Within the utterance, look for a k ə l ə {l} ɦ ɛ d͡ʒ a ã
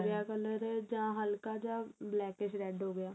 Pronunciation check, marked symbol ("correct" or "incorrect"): incorrect